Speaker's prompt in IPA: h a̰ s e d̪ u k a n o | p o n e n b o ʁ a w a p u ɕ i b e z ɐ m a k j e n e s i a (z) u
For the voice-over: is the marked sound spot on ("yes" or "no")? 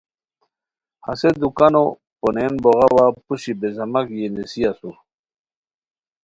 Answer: no